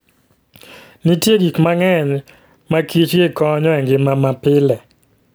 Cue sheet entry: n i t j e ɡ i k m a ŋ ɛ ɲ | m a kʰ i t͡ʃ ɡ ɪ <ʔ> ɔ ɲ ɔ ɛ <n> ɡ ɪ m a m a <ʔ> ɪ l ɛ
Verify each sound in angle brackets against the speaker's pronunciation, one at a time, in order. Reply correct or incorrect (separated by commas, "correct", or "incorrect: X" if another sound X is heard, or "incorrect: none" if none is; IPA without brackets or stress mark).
incorrect: k, incorrect: ŋ, incorrect: p